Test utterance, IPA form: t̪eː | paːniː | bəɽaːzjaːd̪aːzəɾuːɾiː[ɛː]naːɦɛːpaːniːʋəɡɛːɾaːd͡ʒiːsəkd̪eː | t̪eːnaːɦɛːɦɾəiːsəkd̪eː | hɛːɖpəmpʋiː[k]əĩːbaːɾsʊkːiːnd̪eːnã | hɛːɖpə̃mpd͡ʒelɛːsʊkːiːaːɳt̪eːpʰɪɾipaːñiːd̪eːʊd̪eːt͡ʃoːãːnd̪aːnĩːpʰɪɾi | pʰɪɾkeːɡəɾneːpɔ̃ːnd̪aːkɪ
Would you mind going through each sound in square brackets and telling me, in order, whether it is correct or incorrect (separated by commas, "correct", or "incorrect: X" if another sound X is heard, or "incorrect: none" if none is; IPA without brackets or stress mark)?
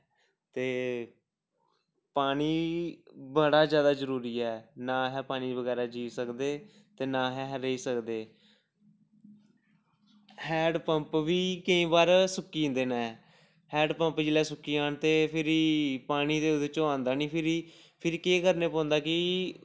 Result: correct, correct